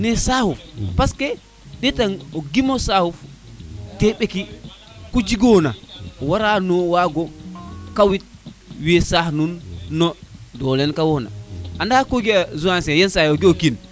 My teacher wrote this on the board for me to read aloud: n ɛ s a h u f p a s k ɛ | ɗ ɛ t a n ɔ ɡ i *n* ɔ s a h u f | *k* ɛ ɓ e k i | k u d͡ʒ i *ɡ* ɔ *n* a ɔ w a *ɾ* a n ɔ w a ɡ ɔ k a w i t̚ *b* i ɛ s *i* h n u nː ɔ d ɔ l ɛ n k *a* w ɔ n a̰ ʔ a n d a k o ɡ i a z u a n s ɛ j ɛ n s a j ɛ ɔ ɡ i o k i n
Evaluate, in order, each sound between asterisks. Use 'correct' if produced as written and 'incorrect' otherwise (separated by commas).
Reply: incorrect, incorrect, correct, correct, correct, incorrect, incorrect, correct